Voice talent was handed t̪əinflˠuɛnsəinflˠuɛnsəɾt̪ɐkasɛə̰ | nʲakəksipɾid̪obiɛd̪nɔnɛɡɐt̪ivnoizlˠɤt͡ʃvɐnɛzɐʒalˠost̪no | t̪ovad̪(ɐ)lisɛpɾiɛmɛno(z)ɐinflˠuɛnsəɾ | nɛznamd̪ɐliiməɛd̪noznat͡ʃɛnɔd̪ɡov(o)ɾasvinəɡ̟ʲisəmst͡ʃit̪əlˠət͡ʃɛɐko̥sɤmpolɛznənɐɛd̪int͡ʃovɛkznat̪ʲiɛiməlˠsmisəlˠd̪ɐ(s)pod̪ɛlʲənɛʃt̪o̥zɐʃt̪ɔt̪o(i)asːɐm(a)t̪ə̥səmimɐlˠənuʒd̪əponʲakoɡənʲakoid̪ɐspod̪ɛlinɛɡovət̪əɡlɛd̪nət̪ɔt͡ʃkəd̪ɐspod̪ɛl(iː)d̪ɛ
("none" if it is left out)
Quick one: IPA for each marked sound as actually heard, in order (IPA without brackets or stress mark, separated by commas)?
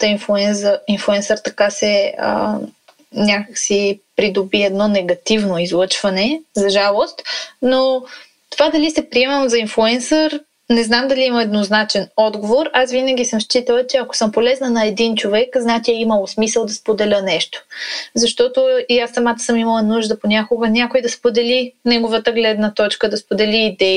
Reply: ɐ, z, o, s, i, a, iː